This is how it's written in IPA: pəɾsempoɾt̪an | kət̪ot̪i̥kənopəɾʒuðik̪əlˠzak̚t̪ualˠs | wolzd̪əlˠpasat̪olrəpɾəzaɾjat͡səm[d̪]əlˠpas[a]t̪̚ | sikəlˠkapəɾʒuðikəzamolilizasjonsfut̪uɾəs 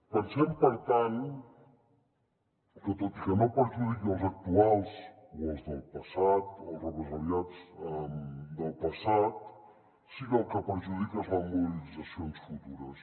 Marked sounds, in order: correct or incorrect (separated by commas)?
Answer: correct, correct